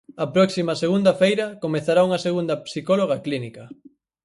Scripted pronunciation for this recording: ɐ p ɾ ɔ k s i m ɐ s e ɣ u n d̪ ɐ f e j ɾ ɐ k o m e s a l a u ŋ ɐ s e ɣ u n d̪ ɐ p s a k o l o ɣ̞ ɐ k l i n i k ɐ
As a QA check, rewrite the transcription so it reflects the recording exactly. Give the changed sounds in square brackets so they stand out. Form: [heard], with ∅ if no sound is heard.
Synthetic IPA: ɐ p ɾ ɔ k s i m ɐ s e ɣ u n d̪ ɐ f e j ɾ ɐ k o m e [θ] a [ɾ] a u ŋ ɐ s e ɣ u n d̪ ɐ p s [i] k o l o ɣ̞ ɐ k l i n i k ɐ